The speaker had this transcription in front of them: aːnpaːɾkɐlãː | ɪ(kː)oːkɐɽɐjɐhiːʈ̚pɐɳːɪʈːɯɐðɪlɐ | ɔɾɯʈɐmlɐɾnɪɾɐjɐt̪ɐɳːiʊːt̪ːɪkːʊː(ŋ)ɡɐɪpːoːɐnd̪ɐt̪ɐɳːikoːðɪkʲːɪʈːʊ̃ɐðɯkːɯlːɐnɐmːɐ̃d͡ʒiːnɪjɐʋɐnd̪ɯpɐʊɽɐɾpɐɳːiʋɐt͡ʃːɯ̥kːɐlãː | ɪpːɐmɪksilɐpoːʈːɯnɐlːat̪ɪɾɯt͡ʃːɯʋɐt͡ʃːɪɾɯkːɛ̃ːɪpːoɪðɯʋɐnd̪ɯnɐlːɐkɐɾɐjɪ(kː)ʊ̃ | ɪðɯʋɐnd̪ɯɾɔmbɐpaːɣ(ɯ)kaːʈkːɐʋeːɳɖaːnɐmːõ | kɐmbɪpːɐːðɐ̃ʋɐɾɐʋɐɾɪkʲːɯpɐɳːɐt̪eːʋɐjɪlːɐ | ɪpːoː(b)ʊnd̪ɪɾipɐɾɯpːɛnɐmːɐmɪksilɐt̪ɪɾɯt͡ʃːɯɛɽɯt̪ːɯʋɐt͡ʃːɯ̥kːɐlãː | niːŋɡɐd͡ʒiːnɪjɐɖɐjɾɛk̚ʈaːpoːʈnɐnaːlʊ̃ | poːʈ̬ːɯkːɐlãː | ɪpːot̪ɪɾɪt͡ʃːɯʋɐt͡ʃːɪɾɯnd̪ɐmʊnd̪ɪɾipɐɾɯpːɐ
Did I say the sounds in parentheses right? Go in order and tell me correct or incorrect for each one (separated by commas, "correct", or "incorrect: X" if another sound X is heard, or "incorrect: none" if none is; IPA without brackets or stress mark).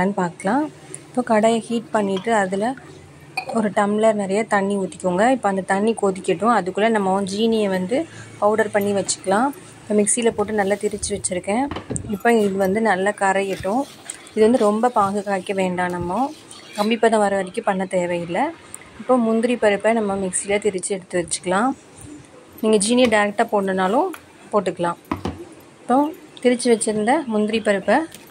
incorrect: pː, correct, incorrect: ʈː, correct, incorrect: m